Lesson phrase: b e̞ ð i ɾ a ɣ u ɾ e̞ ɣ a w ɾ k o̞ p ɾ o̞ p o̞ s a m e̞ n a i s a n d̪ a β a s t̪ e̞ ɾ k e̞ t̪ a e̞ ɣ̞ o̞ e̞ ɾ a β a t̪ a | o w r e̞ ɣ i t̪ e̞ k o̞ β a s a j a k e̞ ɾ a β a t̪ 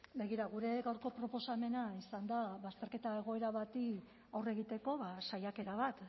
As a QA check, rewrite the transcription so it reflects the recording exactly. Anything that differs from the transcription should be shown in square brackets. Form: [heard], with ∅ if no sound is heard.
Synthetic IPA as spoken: b e̞ [ɣ] i ɾ a ɣ u ɾ e̞ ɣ a w ɾ k o̞ p ɾ o̞ p o̞ s a m e̞ n a i s a n d̪ a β a s t̪ e̞ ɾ k e̞ t̪ a e̞ ɣ̞ o̞ e̞ ɾ a β a t̪ [i] | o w r e̞ ɣ i t̪ e̞ k o̞ β a s a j a k e̞ ɾ a β a t̪